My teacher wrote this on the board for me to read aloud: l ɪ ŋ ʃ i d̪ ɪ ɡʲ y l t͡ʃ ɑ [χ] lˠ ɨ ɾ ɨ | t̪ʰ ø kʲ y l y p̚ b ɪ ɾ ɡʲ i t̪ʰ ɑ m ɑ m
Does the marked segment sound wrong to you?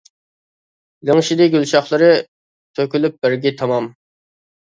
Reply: no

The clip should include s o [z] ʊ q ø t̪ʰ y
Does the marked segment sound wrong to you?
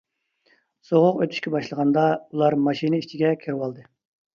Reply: yes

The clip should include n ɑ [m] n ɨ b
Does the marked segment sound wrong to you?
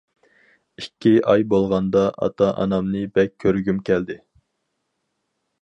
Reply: no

